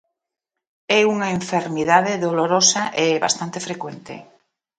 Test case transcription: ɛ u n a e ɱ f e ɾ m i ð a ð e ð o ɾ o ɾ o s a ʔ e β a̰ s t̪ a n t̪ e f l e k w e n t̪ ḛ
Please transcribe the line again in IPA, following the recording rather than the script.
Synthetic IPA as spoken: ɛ u ŋ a e ɱ f e ɾ m i ð a ð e ð o l o ɾ o s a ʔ e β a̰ s t̪ a n t̪ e f ɾ e k w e n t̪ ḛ